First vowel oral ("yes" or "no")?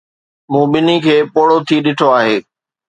no